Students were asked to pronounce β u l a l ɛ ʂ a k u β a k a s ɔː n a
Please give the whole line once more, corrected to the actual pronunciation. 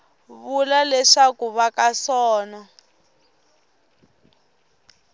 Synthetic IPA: β u l a l ɛ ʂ a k u β a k a s ɔː n a